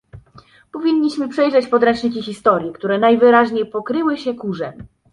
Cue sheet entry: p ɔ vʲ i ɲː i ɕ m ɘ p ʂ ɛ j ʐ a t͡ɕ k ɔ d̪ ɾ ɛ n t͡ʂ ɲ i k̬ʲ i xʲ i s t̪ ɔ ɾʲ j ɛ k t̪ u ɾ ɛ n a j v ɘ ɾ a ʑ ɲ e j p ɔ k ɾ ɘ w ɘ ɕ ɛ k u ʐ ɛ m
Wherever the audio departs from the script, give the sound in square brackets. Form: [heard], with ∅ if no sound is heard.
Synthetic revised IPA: p ɔ vʲ i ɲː i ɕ m ɘ p ʂ ɛ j ʐ [ɛ] t͡ɕ [p] ɔ d̪ ɾ ɛ n t͡ʂ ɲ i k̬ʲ i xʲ i s t̪ ɔ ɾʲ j ɛ k t̪ u ɾ ɛ n a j v ɘ ɾ a ʑ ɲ e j p ɔ k ɾ ɘ w ɘ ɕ ɛ k u ʐ ɛ m